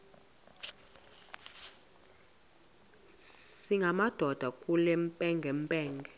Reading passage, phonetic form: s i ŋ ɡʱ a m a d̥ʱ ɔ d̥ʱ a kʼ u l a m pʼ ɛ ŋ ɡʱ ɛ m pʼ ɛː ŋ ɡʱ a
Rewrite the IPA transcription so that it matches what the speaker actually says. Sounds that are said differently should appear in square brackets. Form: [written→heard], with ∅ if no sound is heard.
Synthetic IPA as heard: s i ŋ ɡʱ a m a d̥ʱ ɔ d̥ʱ a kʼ u l [a→ɛ] m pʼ ɛ ŋ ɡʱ ɛ m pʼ ɛː ŋ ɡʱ [a→ɛ]